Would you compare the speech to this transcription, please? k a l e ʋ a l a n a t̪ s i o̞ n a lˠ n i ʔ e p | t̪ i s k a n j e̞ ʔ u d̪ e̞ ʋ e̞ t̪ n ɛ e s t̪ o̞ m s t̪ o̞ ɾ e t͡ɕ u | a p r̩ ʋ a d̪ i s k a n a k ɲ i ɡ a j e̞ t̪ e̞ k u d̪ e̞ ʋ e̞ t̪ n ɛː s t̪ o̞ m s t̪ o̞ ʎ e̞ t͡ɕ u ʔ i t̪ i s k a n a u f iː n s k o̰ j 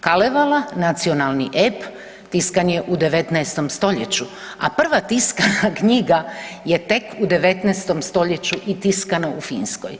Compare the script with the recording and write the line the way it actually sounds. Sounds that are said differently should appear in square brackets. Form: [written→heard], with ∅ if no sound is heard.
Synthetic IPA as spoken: k a l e ʋ a l a n a t̪ s i o̞ n a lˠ n i ʔ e p | t̪ i s k a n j e̞ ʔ u d̪ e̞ ʋ e̞ t̪ n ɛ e s t̪ o̞ m s t̪ o̞ [ɾ→ʎ] e t͡ɕ u | a p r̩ ʋ a [d̪→t̪] i s k a n a k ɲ i ɡ a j e̞ t̪ e̞ k u d̪ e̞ ʋ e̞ t̪ n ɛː s t̪ o̞ m s t̪ o̞ ʎ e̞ t͡ɕ u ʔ i t̪ i s k a n a u f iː n s k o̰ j